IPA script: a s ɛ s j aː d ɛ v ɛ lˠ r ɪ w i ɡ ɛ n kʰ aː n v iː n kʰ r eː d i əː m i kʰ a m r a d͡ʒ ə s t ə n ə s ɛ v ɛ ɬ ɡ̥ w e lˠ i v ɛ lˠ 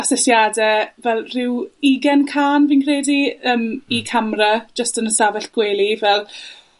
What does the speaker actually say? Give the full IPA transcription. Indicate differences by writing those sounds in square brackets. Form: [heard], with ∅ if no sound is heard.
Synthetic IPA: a s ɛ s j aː d ɛ v ɛ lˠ r ɪ w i ɡ ɛ n kʰ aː n v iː n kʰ r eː d i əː m i kʰ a m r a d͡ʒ ə s t ə n ə s [a] v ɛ ɬ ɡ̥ w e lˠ i v ɛ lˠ